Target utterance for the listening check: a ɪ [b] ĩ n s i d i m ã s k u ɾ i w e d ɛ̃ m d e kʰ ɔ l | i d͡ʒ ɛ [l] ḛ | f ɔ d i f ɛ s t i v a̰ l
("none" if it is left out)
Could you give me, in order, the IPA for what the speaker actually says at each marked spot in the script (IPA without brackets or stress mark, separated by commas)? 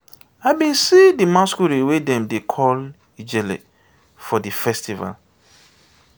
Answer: b, l